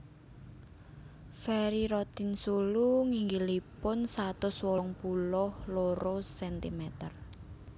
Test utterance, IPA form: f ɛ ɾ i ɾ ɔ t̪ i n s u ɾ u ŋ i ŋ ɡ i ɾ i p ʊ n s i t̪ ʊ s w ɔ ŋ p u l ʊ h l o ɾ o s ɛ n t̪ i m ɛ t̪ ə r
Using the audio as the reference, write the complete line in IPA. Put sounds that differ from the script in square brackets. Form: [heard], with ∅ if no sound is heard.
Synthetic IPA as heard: f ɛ ɾ i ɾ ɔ t̪ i n s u [l] u ŋ i ŋ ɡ i [l] i p ʊ n s [a] t̪ ʊ s w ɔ ŋ p u l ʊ h l o ɾ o s ɛ n t̪ i m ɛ t̪ ə r